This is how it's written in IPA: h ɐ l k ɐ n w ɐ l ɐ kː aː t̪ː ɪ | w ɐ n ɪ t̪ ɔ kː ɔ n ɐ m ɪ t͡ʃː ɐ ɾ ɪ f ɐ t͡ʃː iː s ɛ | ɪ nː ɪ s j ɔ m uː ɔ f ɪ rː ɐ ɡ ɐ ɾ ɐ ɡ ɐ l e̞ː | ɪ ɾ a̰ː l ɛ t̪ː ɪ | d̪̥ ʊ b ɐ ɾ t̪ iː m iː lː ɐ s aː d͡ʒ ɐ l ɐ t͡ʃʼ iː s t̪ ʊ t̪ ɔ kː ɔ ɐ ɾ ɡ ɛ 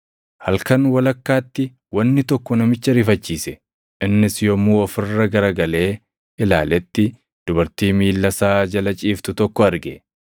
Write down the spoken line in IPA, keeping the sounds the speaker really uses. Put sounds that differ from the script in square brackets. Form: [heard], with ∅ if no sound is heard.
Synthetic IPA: h ɐ l k ɐ n w ɐ l ɐ kː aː t̪ː ɪ | w ɐ [nː] ɪ t̪ ɔ kː ɔ n ɐ m ɪ t͡ʃː ɐ ɾ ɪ f ɐ t͡ʃː iː s ɛ | ɪ nː ɪ s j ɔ m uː ɔ f ɪ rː ɐ ɡ ɐ ɾ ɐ ɡ ɐ l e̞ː | ɪ [l] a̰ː l ɛ t̪ː ɪ | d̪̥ ʊ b ɐ ɾ t̪ iː m iː lː ɐ s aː d͡ʒ ɐ l ɐ t͡ʃʼ iː [f] t̪ ʊ t̪ ɔ kː ɔ ɐ ɾ ɡ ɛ

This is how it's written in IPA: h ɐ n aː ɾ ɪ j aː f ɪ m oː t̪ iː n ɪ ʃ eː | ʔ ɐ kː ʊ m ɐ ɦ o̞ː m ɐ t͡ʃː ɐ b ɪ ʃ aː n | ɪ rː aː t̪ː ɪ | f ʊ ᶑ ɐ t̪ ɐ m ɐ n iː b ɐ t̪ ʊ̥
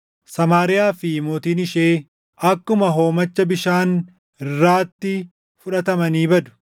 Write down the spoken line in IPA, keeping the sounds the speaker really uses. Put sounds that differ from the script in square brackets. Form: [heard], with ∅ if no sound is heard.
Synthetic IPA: [s] ɐ [m] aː ɾ ɪ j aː f ɪ m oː t̪ iː n ɪ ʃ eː | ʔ ɐ kː ʊ m ɐ ɦ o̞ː m ɐ t͡ʃː ɐ b ɪ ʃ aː n | ɪ rː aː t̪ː ɪ | f ʊ ᶑ ɐ t̪ ɐ m ɐ n iː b ɐ [d̪] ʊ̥

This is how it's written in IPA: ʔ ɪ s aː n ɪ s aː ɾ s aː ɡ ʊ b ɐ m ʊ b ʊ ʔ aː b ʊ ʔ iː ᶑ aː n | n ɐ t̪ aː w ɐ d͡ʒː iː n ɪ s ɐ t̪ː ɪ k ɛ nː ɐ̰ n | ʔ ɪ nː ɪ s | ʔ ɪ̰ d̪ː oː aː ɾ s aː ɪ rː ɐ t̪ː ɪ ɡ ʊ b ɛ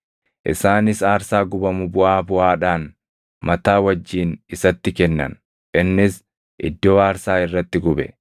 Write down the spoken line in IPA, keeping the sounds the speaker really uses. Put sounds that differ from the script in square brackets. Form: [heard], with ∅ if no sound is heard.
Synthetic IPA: ʔ ɪ s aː n ɪ s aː ɾ s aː ɡ ʊ b ɐ m ʊ b ʊ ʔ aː b ʊ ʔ [aː] ᶑ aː n | [m] ɐ t̪ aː w ɐ d͡ʒː iː n ɪ s ɐ t̪ː ɪ k ɛ nː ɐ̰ n | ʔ ɪ nː ɪ s | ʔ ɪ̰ d̪ː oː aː ɾ s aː ɪ rː ɐ t̪ː ɪ ɡ ʊ b ɛ

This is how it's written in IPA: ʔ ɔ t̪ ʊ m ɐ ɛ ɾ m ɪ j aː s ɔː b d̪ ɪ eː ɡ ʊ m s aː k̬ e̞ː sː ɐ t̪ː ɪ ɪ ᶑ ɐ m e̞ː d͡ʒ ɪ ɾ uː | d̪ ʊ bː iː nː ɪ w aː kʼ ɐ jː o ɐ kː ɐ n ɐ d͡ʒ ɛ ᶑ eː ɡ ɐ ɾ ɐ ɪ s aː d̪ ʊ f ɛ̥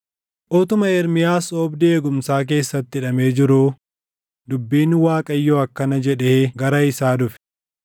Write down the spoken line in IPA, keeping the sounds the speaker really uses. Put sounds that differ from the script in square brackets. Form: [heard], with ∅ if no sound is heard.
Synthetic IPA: ʔ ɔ t̪ ʊ m ɐ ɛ ɾ m ɪ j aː s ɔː b d̪ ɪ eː ɡ ʊ m s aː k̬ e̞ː sː ɐ t̪ː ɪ ɪ ᶑ ɐ m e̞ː d͡ʒ ɪ ɾ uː | d̪ ʊ bː iː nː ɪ w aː kʼ ɐ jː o ɐ kː ɐ n ɐ d͡ʒ ɛ ᶑ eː ɡ ɐ ɾ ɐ ɪ s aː d̪ ʊ f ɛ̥

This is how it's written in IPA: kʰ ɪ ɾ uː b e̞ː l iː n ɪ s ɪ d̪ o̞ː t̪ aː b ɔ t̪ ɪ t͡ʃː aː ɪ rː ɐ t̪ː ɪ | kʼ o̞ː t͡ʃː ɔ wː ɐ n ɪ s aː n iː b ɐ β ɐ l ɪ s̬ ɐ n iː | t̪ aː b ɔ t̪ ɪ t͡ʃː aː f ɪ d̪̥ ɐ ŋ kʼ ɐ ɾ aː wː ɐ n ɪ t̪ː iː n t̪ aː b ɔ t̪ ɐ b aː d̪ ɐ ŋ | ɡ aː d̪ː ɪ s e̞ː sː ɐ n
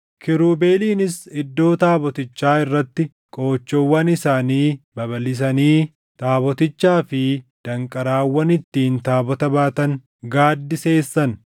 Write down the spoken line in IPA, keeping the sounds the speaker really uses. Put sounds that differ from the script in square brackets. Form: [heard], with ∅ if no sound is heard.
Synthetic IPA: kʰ ɪ ɾ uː b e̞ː l iː n ɪ s ɪ [d̪ː] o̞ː t̪ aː b ɔ t̪ ɪ t͡ʃː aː ɪ rː ɐ t̪ː ɪ | kʼ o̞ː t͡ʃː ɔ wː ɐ n ɪ s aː n iː b ɐ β ɐ l ɪ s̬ ɐ n iː | t̪ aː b ɔ t̪ ɪ t͡ʃː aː f ɪ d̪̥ ɐ ŋ kʼ ɐ ɾ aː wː ɐ n ɪ t̪ː iː n t̪ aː b ɔ t̪ ɐ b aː [t̪] ɐ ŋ | ɡ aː d̪ː ɪ s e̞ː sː ɐ n

